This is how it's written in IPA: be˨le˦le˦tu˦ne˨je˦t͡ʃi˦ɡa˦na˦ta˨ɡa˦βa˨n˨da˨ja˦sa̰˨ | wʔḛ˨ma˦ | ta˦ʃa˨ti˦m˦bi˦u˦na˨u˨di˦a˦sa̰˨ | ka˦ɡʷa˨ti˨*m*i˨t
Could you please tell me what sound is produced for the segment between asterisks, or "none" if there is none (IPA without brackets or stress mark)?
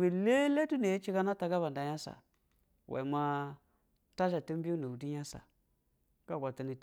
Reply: n